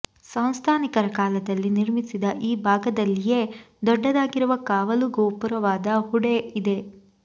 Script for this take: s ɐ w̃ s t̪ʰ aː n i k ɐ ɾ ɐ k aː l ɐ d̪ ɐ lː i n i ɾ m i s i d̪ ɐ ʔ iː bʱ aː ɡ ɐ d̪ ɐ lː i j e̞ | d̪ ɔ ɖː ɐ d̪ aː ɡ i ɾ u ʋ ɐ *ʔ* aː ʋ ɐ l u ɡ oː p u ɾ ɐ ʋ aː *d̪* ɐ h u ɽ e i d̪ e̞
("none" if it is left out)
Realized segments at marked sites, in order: k, d̪

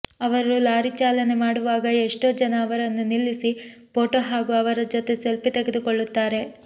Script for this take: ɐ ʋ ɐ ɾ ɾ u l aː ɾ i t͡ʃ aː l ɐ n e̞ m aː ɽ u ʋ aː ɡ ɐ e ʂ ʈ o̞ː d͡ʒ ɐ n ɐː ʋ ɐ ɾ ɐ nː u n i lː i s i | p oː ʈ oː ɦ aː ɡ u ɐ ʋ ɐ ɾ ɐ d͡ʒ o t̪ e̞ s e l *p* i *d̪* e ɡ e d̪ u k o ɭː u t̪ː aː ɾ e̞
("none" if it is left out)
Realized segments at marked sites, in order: p, t̪

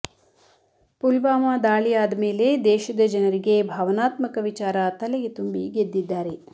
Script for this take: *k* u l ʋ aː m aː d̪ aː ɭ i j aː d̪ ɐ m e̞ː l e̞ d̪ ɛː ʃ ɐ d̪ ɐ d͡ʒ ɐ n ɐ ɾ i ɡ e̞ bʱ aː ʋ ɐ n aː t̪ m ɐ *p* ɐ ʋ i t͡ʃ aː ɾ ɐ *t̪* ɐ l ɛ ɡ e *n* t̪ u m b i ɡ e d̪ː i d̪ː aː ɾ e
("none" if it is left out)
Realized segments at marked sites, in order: p, k, t̪, none

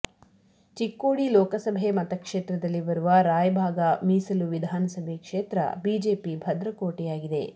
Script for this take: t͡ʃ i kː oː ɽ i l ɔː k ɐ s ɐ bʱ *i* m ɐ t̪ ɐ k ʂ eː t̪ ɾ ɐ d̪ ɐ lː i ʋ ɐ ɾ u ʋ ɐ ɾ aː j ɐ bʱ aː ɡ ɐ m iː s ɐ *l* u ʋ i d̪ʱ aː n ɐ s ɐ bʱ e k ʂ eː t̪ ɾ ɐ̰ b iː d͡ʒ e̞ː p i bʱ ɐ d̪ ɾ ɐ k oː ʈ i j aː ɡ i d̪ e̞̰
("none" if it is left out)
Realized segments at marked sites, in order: e, l

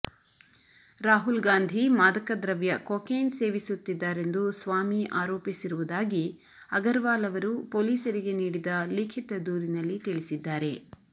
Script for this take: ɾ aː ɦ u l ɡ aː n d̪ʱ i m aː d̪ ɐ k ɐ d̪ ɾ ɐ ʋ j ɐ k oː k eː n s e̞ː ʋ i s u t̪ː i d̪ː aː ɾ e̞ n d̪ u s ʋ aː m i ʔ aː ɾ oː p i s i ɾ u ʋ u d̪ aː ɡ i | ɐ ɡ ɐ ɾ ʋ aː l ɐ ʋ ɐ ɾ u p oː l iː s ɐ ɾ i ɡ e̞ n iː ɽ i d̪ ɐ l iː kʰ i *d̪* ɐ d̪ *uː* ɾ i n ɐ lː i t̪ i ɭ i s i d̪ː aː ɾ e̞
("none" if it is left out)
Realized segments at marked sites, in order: t̪, uː

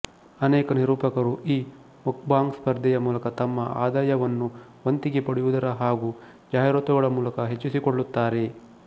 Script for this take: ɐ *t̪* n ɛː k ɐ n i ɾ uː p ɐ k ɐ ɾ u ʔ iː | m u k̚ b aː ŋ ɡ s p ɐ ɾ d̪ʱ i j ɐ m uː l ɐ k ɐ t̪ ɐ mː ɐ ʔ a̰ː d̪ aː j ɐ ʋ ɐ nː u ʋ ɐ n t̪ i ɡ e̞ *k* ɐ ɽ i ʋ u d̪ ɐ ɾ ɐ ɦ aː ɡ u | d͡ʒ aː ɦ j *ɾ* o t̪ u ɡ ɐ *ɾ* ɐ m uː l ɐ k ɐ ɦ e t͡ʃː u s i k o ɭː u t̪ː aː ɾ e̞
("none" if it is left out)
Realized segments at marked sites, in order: none, p, ɾ, ɭ

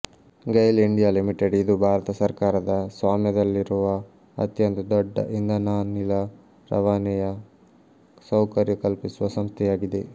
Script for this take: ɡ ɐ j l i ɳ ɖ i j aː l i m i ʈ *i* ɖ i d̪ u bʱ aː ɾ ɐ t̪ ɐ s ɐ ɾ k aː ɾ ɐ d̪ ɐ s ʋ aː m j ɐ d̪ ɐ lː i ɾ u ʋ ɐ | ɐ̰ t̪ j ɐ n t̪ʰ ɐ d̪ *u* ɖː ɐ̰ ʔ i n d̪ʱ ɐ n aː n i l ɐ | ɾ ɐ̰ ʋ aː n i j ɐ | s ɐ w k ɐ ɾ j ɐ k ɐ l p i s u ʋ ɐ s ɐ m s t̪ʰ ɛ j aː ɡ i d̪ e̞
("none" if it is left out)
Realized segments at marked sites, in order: e, ɔ

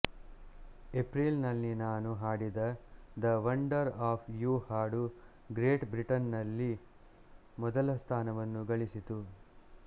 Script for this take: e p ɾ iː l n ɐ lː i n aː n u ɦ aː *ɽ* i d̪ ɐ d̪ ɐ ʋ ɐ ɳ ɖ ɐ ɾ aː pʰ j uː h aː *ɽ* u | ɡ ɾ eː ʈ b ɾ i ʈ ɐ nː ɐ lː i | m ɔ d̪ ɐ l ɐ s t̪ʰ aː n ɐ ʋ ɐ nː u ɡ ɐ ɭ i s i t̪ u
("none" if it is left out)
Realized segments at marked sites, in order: ɽ, ɽ

